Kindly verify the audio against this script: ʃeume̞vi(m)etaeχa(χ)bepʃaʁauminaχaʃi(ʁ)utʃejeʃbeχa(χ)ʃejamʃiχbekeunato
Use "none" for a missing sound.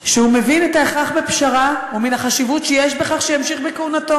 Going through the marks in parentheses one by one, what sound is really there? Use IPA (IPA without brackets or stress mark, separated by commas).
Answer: n, χ, v, χ